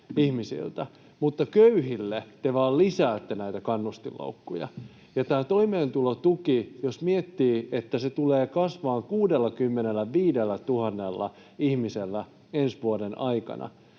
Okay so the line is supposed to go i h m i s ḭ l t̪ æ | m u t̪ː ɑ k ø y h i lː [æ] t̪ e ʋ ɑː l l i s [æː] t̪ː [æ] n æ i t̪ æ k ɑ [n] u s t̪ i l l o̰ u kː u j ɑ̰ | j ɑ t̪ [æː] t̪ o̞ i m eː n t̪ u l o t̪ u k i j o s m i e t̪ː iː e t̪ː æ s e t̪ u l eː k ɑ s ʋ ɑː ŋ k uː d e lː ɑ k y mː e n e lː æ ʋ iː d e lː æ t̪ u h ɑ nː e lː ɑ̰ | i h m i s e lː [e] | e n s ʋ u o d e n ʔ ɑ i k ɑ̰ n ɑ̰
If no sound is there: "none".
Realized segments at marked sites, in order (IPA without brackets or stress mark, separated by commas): e, æː, e, nː, æː, æ